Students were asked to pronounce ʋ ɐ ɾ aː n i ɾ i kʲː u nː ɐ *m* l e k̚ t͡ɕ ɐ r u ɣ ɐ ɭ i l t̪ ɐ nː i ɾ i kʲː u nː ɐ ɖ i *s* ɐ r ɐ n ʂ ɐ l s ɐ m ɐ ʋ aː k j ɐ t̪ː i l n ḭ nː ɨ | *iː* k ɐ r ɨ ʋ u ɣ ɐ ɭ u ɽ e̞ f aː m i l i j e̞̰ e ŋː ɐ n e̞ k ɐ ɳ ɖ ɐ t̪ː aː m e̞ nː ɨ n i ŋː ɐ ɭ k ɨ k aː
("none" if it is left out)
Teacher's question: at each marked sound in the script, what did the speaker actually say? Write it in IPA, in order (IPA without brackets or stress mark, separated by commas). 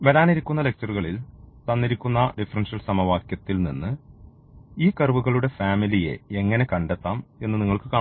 none, f, iː